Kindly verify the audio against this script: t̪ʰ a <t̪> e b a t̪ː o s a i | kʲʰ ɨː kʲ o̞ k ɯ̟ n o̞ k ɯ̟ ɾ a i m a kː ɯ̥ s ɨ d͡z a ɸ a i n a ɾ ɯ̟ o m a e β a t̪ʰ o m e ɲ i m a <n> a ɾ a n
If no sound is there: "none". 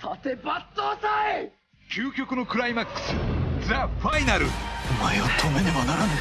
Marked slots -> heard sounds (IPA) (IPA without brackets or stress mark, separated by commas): t̪, n